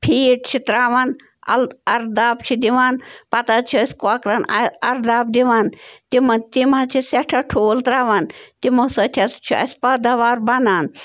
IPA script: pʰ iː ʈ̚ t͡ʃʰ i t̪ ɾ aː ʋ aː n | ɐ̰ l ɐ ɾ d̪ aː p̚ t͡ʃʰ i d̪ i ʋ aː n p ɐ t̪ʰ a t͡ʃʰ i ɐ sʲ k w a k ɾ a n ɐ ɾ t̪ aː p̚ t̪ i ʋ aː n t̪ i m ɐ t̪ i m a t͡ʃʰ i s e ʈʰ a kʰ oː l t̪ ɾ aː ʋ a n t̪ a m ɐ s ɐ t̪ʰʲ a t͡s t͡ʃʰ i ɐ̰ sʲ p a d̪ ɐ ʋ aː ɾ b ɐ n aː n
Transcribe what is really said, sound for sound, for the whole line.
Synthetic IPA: pʰ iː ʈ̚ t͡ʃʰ i t̪ ɾ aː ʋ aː n | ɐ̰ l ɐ ɾ d̪ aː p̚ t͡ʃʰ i d̪ i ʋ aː n p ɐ t̪ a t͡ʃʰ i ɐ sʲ k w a k ɾ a n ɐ ɾ d̪ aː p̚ d̪ i ʋ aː n t̪ i m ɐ t̪ i m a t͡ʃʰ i s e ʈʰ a ʈʰ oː l t̪ ɾ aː ʋ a n t̪ i m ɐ s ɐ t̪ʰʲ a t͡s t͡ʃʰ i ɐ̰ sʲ p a d̪ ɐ ʋ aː ɾ b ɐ n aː n